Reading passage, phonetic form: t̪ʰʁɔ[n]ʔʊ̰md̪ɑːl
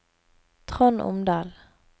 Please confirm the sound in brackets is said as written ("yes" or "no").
yes